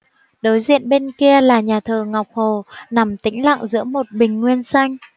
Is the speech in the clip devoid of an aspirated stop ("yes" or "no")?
no